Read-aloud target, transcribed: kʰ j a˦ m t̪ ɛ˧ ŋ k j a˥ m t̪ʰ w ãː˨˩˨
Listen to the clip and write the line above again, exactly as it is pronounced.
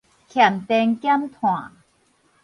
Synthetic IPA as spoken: kʰ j a˨˩ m t̪ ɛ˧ ŋ k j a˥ m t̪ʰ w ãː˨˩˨